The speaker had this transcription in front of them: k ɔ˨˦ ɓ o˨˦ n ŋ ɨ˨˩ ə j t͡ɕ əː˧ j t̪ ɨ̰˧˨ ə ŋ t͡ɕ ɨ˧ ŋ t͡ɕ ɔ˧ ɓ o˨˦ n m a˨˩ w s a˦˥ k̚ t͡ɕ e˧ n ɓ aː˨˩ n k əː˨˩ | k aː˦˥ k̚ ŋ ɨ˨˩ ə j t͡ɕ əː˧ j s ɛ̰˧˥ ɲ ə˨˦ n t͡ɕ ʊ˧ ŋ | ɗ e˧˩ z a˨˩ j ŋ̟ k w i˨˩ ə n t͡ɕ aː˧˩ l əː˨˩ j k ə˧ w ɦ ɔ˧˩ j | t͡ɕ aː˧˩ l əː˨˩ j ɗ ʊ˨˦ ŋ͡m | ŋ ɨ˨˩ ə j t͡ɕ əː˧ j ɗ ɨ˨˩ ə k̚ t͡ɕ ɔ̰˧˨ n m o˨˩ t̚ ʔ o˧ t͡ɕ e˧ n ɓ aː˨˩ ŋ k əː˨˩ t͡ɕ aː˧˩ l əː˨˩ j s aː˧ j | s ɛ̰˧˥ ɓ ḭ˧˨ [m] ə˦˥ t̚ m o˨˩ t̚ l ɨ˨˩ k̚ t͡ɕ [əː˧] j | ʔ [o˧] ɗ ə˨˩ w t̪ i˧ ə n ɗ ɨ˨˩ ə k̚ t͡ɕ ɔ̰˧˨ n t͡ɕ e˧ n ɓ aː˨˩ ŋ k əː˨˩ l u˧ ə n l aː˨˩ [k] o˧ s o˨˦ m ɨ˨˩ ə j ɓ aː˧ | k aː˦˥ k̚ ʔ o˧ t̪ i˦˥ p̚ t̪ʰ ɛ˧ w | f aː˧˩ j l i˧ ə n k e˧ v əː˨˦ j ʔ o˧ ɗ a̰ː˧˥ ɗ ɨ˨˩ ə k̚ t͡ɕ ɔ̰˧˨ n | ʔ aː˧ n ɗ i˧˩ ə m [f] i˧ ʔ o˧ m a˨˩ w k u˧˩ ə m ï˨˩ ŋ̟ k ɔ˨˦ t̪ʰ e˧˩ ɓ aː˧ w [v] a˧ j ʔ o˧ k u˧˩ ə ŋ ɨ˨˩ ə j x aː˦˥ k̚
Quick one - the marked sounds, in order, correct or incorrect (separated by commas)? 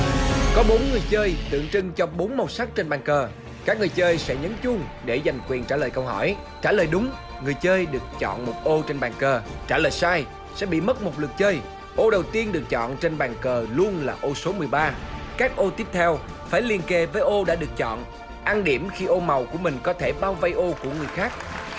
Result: correct, correct, correct, incorrect, incorrect, correct